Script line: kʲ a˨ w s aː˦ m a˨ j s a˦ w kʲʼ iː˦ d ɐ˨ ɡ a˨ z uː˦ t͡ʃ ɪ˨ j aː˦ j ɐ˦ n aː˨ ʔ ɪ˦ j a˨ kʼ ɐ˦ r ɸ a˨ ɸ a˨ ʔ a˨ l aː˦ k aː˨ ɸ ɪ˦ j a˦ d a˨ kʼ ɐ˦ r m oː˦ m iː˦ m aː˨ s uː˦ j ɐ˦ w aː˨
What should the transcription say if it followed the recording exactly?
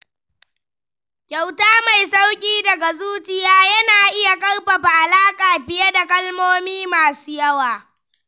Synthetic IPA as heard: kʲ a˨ w t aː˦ m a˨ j s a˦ w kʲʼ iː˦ d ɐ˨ ɡ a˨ z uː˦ t͡ʃ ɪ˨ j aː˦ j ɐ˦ n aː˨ ʔ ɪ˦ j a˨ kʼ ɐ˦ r ɸ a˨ ɸ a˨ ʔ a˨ l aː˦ kʼ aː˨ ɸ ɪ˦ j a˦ d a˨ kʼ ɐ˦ l m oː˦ m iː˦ m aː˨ s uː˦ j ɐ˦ w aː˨